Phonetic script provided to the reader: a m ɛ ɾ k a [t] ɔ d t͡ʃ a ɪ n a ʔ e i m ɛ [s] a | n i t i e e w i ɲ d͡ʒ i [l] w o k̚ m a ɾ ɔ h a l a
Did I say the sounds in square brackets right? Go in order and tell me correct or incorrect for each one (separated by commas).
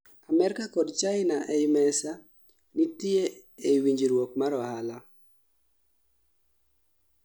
incorrect, correct, incorrect